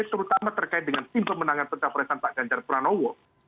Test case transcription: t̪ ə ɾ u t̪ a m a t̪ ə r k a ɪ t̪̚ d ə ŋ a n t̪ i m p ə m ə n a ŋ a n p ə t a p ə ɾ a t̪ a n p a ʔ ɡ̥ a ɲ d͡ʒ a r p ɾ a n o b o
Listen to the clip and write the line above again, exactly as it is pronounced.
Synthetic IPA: t̪ ə ɾ u t̪ a m a t̪ ə r k a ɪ t̪̚ d ə ŋ a n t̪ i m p ə m ə n a ŋ a n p ə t a p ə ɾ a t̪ a n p a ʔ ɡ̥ a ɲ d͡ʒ a r p ɾ a n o w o